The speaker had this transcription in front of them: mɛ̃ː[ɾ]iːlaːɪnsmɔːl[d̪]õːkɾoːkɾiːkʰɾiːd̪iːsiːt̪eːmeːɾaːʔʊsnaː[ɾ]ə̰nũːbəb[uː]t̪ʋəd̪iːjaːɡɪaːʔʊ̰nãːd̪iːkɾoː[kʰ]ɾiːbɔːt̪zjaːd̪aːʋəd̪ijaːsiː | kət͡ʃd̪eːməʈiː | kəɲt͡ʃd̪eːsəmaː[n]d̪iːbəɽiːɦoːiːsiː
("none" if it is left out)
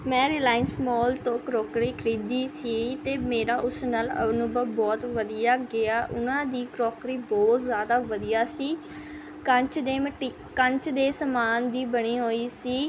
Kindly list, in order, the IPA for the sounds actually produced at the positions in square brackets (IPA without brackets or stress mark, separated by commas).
ɾ, t̪, l, ɔː, k, n